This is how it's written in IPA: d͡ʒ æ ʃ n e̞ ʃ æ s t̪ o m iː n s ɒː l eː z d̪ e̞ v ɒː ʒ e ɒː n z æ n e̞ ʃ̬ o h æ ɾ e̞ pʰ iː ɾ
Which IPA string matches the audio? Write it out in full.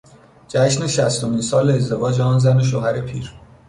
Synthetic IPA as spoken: d͡ʒ æ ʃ n e̞ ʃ æ s t̪ o m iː n s ɒː l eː z d̪ e̞ v ɒː d͡ʒ e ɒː n z æ n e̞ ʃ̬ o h æ ɾ e̞ pʰ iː ɾ